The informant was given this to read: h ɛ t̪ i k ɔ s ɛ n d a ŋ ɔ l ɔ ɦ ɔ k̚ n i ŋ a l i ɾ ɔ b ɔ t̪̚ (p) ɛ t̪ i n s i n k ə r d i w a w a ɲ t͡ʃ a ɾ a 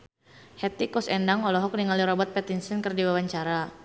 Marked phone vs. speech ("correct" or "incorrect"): correct